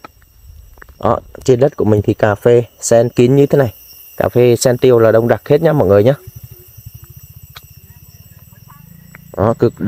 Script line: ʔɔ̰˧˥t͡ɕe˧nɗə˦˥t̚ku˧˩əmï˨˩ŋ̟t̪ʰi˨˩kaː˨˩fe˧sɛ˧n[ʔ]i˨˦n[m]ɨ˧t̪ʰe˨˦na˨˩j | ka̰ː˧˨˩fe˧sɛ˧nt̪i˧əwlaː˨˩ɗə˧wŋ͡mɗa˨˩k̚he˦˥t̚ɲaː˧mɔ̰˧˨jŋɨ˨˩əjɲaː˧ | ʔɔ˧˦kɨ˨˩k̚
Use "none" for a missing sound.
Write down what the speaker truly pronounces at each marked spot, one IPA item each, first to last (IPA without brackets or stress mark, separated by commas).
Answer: k, ɲ